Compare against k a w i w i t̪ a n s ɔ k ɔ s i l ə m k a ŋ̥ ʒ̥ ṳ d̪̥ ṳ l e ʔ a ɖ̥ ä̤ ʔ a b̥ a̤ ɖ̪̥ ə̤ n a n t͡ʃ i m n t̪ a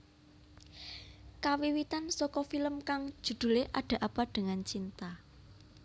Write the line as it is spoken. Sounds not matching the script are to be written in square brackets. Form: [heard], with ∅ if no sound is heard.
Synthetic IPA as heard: k a w i w i t̪ a n s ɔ k ɔ [f] i l ə m k a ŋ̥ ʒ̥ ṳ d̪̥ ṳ l e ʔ a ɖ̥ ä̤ ʔ a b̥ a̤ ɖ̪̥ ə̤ [ŋ] a n t͡ʃ i [∅] n t̪ a